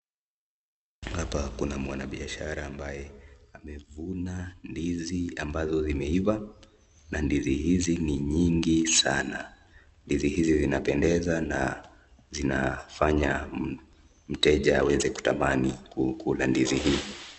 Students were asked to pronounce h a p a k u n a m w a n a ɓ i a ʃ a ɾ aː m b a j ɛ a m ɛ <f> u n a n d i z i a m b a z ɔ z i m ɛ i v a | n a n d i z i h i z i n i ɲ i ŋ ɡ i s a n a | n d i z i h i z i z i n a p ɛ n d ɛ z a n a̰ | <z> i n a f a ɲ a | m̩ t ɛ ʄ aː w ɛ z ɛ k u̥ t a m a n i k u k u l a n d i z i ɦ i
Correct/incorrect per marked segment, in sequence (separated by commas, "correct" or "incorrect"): incorrect, correct